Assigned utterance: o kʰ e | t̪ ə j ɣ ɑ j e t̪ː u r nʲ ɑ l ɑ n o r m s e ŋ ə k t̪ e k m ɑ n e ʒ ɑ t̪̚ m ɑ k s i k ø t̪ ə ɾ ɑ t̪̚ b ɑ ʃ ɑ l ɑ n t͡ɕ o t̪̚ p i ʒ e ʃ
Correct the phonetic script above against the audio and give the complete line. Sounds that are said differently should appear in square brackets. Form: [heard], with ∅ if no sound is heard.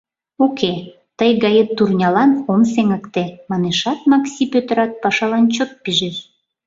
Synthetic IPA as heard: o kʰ e | t̪ ə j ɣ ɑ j e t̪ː u r nʲ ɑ l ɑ n o [∅] m s e ŋ ə k t̪ e [∅] m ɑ n e [ʃ] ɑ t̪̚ m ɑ k s i [p] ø t̪ ə ɾ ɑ t̪̚ [p] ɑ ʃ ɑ l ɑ n t͡ɕ o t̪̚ p i ʒ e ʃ

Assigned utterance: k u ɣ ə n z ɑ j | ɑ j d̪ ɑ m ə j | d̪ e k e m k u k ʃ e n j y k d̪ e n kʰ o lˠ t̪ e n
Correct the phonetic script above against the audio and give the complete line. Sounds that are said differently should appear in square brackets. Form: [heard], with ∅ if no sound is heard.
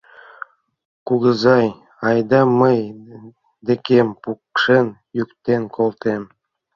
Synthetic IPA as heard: k u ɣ ə [∅] z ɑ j | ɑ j d̪ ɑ m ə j | d̪ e k e m [p] u k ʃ e n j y k [t̪] e n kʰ o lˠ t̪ e [m]

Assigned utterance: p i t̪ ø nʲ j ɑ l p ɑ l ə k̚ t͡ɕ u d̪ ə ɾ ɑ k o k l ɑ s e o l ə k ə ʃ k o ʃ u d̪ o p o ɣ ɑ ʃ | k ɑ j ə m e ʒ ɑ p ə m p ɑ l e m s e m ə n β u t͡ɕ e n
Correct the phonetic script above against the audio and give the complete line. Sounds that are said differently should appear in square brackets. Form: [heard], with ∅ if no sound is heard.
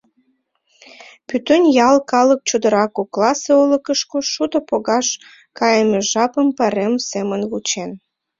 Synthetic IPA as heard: p [y] t̪ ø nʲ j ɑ l [k] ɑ l ə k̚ t͡ɕ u d̪ ə ɾ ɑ k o k l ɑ s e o l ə k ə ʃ k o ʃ u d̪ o p o ɣ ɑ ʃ | k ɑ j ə m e ʒ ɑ p ə m p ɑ [ɾ] e m s e m ə n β u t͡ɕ e n

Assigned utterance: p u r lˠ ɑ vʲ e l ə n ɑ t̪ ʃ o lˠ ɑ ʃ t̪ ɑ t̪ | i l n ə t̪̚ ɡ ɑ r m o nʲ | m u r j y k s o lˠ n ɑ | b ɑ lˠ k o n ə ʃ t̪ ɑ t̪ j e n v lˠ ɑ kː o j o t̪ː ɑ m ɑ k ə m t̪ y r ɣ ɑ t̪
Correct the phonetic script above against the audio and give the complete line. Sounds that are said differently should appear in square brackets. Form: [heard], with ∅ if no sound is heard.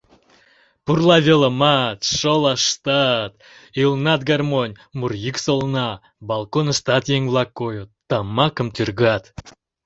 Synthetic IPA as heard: p u r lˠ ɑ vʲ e l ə [m] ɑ t̪ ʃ o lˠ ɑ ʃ t̪ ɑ t̪ | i l n [ɑ] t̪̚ ɡ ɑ r m o nʲ | m u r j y k s o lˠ n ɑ | b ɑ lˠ k o n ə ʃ t̪ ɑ t̪ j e [ŋ] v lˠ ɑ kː o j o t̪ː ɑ m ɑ k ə m t̪ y r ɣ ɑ t̪

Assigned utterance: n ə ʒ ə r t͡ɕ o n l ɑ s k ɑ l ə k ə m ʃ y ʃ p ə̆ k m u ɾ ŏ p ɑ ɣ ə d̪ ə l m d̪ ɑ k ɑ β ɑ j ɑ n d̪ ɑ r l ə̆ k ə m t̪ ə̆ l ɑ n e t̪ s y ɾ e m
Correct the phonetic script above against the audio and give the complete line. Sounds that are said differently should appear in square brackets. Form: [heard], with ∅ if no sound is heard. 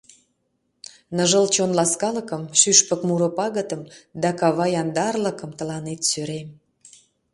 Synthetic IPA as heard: n ə ʒ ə [l] t͡ɕ o n l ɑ s k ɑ l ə k ə m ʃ y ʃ p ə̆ k m u ɾ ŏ p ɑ ɣ ə [t̪] ə [∅] m d̪ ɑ k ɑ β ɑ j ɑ n d̪ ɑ r l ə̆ k ə m t̪ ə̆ l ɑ n e t̪ s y ɾ e m

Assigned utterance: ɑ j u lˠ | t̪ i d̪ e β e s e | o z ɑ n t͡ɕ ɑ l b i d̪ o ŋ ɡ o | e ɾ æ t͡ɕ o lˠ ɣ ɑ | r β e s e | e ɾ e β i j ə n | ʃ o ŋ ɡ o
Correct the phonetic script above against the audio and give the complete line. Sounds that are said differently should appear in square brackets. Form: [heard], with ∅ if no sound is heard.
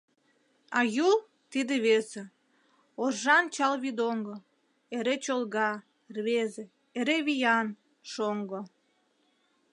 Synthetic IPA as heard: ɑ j u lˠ | t̪ i d̪ e β e s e | o [ʒ] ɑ n t͡ɕ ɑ l [β] i d̪ o ŋ ɡ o | e ɾ [e] t͡ɕ o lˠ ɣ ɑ | r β e [z] e | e ɾ e β i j [ɑ] n | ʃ o ŋ ɡ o

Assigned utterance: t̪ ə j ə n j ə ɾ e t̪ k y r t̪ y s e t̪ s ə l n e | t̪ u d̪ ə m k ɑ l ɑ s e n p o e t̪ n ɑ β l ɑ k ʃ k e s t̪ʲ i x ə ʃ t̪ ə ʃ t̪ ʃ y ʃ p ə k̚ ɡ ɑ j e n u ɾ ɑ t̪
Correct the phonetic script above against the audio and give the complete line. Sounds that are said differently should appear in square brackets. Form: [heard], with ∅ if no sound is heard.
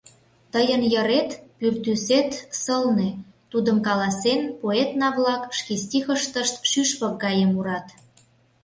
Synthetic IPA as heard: t̪ ə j ə n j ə ɾ e t̪ [p] y r t̪ y s e t̪ s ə l n e | t̪ u d̪ ə m k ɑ l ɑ s e n p o e t̪ n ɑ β l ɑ k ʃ k e s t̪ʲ i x ə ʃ t̪ ə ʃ t̪ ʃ y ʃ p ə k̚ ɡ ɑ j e [m] u ɾ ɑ t̪

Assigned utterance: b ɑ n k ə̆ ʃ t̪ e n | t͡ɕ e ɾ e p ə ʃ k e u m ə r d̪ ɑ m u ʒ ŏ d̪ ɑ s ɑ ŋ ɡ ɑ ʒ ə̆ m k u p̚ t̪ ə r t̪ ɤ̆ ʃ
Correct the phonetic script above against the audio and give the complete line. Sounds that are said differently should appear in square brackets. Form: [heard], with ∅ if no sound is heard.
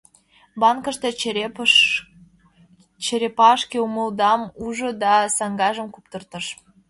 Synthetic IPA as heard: b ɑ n k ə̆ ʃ t̪ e [∅] | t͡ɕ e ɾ e p [ɑ] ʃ k e u m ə [l] d̪ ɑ m u ʒ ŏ d̪ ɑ s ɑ ŋ ɡ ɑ ʒ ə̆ m k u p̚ t̪ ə r t̪ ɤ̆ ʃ

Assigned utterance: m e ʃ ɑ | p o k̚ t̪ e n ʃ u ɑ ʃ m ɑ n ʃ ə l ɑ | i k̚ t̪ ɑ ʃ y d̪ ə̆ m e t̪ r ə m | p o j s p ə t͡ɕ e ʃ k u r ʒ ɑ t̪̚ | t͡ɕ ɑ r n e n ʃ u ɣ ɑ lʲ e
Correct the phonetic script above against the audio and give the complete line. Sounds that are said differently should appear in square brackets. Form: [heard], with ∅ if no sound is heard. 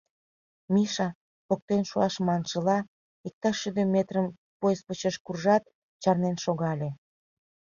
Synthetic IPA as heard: m [i] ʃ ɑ | p o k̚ t̪ e n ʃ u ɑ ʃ m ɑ n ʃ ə l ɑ | i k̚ t̪ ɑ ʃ y d̪ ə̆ m e t̪ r ə m | p o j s p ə t͡ɕ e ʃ k u r ʒ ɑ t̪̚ | t͡ɕ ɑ r n e n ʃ [o] ɣ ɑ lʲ e

